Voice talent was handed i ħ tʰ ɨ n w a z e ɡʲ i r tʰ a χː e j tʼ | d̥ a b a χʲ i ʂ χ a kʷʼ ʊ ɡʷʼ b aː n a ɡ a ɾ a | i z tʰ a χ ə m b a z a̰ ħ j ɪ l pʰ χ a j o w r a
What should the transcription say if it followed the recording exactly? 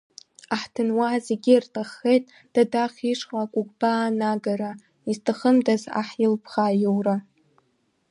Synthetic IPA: a ħ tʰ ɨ n w a z e ɡʲ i r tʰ a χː e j tʼ | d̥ a d a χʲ i ʂ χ a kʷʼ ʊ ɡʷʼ b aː n a ɡ a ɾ a | i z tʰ a χ ə m d a z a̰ ħ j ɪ l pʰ χ a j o w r a